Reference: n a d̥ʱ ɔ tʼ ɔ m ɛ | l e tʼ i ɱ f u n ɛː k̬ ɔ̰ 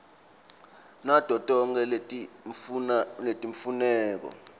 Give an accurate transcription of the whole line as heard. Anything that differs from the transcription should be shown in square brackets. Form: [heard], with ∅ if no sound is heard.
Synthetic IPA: n a d̥ʱ ɔ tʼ ɔ [ŋ] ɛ | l e tʼ i ɱ f u n ɛː k̬ ɔ̰